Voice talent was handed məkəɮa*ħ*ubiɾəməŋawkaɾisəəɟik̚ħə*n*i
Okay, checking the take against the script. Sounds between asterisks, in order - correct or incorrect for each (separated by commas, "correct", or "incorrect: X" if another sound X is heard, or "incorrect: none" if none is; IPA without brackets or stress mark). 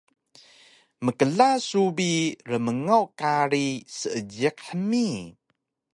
incorrect: s, incorrect: m